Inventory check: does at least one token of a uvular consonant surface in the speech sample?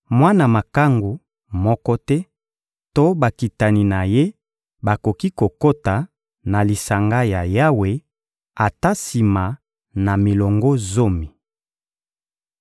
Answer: no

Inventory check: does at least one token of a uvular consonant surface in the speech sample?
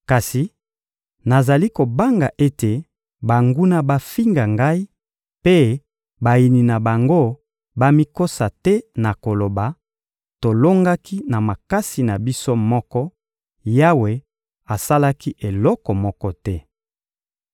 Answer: no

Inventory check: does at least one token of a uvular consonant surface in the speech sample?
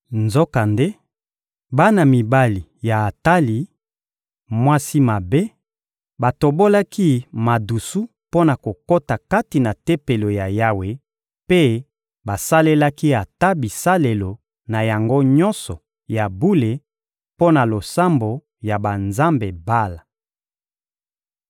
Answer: no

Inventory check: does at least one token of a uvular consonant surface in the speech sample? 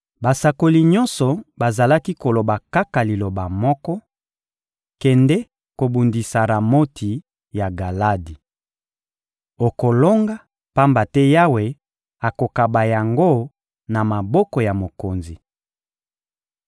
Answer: no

